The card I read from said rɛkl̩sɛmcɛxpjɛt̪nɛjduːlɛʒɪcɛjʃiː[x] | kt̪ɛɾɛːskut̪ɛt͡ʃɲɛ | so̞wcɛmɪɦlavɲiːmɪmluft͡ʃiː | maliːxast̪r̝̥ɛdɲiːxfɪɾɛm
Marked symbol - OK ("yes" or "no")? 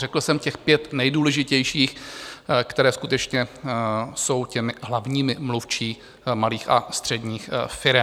yes